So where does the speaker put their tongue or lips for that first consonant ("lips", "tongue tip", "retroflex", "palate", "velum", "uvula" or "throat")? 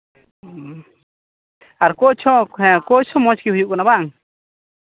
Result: tongue tip